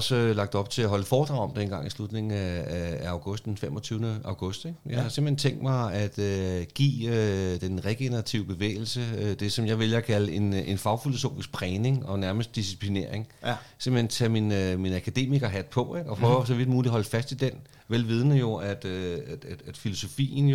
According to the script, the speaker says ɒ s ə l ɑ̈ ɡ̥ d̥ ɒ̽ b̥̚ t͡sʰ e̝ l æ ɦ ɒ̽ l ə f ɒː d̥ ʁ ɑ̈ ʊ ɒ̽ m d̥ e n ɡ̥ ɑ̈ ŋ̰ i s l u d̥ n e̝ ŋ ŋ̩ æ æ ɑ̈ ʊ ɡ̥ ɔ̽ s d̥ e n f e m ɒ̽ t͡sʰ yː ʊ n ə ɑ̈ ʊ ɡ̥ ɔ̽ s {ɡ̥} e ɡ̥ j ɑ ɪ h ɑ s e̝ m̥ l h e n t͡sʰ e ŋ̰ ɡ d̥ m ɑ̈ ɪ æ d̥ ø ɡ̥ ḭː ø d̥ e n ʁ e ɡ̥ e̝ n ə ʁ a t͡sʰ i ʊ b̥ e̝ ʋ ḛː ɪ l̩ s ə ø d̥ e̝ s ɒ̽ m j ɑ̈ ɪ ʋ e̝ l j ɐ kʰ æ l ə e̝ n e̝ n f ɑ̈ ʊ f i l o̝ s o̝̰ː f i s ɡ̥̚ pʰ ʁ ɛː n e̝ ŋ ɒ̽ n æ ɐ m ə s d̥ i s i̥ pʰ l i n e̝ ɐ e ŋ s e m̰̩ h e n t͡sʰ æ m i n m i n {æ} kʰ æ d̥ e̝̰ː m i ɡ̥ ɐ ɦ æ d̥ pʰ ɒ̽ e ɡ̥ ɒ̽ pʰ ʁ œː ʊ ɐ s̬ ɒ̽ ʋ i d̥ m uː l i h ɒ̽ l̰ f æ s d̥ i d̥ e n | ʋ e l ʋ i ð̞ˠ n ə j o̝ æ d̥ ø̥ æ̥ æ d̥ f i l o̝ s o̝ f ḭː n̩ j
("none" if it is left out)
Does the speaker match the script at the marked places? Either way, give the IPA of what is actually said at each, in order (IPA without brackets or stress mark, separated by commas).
d̥, æ